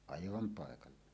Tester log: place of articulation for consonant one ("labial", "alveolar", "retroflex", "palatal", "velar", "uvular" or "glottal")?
labial